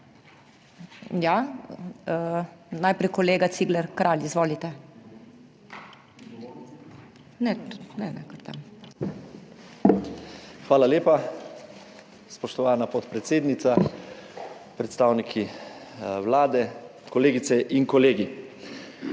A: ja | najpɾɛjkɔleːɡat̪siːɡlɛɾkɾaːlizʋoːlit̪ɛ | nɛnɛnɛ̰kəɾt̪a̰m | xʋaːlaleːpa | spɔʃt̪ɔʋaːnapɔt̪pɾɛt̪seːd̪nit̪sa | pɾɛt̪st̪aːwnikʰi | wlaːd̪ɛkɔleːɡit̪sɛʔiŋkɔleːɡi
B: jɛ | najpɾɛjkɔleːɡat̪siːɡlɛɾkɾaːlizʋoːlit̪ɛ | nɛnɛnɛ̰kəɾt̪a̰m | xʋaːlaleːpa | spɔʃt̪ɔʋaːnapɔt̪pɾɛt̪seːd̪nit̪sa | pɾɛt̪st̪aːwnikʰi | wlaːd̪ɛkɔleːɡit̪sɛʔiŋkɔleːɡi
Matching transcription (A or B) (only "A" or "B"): A